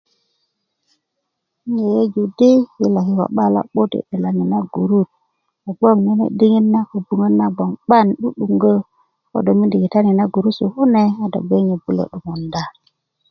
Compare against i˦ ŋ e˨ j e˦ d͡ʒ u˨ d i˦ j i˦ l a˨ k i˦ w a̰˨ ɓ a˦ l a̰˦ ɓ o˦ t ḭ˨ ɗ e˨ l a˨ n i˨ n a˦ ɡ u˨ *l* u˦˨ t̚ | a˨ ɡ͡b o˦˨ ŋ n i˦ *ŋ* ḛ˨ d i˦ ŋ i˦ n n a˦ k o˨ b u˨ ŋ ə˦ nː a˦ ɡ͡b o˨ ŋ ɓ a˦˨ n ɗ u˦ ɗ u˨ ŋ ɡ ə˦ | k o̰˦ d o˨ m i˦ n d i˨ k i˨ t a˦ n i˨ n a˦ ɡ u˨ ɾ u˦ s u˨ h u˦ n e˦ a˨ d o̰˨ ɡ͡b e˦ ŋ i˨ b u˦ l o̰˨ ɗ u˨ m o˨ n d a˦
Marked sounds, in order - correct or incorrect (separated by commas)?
incorrect, incorrect